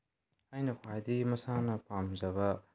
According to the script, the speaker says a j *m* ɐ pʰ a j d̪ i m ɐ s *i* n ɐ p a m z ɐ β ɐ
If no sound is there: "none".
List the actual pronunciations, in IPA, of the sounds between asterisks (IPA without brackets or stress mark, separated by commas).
n, a